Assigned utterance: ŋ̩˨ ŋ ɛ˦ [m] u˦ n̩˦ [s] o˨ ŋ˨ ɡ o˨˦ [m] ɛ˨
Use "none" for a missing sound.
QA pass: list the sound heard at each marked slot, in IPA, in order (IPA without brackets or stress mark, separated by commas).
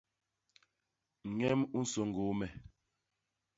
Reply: m, s, m